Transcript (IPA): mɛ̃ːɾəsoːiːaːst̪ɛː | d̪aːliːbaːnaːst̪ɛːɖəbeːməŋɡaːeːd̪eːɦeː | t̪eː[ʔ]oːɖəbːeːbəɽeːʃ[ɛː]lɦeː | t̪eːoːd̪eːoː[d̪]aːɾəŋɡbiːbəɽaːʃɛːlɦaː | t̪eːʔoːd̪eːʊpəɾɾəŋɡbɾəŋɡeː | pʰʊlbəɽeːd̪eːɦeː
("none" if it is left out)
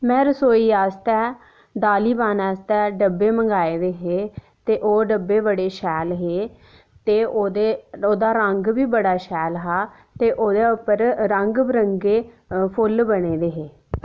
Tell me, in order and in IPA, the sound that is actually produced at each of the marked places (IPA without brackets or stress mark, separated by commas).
ʔ, ɛː, d̪